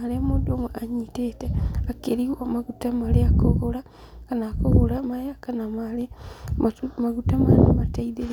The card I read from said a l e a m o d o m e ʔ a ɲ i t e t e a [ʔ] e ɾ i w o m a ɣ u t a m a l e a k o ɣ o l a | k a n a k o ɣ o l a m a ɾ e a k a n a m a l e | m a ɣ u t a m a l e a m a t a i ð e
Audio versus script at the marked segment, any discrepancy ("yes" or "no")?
yes